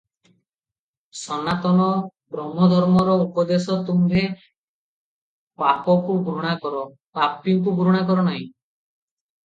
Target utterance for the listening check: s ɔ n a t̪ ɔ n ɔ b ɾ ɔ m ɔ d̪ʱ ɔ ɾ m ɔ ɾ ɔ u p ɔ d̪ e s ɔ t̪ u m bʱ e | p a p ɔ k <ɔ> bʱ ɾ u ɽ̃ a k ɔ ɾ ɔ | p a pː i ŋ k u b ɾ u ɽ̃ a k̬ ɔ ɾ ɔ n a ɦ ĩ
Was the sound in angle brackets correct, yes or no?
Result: no